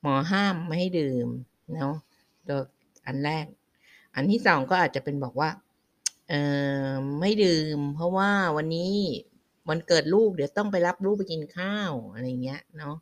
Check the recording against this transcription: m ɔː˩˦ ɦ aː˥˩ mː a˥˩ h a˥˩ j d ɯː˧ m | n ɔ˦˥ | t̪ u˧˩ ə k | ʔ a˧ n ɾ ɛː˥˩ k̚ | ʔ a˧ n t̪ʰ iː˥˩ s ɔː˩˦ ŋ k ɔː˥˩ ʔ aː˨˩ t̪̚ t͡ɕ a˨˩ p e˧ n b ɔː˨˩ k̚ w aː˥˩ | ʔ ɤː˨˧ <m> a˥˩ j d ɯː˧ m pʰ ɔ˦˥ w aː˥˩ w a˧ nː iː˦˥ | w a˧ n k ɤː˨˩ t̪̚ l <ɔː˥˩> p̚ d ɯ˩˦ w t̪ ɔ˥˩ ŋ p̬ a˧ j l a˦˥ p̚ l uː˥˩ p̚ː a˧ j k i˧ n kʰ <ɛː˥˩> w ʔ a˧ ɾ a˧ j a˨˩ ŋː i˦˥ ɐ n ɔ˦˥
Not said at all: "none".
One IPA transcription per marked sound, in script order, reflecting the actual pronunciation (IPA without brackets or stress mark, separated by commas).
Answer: m, uː˥˩, aː˥˩